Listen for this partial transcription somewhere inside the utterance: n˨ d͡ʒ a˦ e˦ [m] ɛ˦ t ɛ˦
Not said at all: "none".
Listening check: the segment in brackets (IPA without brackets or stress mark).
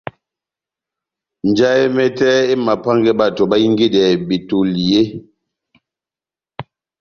m